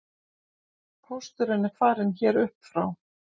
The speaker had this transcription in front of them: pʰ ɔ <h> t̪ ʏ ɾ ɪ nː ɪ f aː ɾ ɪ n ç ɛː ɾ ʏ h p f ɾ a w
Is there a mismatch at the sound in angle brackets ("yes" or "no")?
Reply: yes